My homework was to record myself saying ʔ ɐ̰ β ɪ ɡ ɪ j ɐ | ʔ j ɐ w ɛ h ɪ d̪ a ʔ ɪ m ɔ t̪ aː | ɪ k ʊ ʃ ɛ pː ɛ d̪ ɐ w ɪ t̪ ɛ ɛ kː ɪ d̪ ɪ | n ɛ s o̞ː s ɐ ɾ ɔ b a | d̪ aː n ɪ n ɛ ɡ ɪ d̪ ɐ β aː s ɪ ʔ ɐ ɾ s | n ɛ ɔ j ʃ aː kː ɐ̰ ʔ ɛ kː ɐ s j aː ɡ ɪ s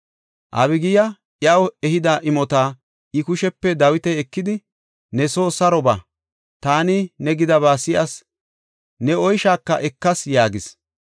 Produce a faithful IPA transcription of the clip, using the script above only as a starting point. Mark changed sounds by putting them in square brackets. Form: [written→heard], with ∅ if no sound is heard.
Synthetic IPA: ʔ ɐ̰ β ɪ ɡ ɪ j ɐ | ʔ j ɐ w ɛ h ɪ d̪ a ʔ ɪ m ɔ t̪ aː | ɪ k ʊ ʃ ɛ pː ɛ d̪ ɐ w ɪ t̪ ɛ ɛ kː ɪ d̪ ɪ | n ɛ s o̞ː s ɐ ɾ ɔ b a | [d̪→t̪] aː n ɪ n ɛ ɡ ɪ d̪ ɐ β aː s ɪ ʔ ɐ [ɾ→∅] s | n ɛ ɔ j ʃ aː kː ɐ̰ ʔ ɛ kː ɐ s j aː ɡ ɪ s